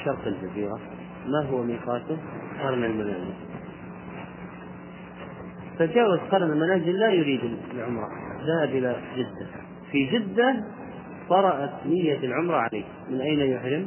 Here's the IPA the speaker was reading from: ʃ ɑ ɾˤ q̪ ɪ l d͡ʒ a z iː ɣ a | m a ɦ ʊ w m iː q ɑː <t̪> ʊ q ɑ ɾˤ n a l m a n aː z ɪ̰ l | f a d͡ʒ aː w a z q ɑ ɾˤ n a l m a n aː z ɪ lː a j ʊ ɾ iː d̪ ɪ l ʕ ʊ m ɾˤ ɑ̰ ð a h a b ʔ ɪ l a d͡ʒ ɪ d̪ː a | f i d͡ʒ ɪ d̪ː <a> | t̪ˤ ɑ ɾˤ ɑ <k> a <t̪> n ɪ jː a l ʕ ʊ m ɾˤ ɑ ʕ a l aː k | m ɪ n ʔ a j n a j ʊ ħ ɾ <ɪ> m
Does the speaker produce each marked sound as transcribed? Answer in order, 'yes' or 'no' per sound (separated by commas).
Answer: yes, yes, no, yes, yes